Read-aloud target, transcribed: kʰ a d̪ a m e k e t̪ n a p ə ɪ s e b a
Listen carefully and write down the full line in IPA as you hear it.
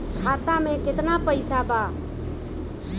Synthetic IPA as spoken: kʰ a t̪ a m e k e t̪ n a p ə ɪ s a b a